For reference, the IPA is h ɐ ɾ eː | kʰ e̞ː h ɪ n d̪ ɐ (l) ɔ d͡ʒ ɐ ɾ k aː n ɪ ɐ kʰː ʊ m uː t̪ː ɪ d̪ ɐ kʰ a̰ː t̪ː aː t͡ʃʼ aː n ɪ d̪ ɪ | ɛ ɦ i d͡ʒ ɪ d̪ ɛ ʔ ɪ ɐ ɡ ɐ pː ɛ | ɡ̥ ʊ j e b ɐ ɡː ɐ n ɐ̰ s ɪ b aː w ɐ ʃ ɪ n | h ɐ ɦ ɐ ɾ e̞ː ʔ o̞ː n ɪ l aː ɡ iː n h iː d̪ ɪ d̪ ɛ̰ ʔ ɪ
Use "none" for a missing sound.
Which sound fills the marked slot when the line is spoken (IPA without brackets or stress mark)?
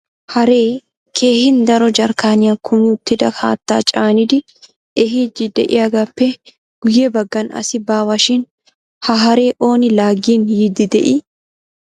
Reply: ɾ